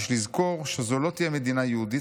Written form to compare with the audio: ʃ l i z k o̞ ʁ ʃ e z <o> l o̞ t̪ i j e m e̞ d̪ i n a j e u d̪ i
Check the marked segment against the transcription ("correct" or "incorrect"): correct